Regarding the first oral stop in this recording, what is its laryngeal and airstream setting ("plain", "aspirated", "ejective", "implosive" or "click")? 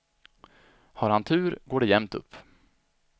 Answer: aspirated